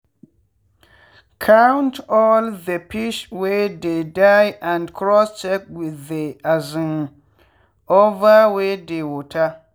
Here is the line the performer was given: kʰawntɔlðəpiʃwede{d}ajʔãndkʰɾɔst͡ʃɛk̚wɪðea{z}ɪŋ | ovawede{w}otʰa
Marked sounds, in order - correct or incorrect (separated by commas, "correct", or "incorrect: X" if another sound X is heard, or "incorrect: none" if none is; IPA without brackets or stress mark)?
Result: correct, correct, correct